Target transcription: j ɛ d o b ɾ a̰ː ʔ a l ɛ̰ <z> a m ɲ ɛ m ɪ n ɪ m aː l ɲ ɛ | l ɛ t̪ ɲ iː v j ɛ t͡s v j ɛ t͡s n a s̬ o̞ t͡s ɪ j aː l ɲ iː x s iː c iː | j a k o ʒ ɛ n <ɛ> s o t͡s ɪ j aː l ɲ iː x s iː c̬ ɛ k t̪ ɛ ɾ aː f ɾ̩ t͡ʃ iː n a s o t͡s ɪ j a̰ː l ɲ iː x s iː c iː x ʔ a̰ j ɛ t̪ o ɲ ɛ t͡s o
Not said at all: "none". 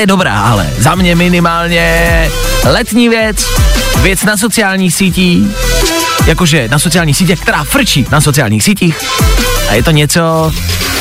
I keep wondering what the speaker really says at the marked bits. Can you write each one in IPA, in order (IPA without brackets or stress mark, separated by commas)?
z, a